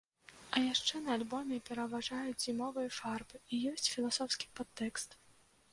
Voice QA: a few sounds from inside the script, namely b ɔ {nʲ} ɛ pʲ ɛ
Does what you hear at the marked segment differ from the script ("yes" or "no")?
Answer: yes